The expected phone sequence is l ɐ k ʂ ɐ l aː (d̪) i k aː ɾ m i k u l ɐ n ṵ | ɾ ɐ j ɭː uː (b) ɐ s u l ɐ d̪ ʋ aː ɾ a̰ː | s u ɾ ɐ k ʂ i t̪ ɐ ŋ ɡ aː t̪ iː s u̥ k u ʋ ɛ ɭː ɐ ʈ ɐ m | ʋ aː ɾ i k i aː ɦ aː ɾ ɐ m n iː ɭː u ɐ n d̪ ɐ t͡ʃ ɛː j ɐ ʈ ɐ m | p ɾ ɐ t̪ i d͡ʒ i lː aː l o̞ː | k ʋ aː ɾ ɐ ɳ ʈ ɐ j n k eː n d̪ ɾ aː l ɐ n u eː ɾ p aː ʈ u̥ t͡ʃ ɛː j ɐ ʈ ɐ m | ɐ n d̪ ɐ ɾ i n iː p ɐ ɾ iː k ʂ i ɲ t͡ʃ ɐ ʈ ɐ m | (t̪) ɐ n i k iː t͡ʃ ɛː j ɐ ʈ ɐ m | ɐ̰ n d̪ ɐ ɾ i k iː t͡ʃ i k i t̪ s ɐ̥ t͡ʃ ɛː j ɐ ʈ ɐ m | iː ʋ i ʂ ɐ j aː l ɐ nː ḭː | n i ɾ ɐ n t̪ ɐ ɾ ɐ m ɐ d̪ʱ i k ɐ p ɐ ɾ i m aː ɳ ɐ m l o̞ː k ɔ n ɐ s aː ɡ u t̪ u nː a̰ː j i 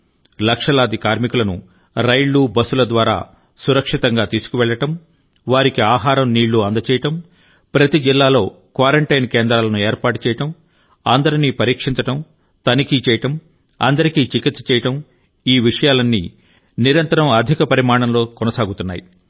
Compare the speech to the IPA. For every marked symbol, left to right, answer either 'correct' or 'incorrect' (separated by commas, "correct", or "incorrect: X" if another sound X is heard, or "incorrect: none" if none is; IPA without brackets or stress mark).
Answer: correct, correct, correct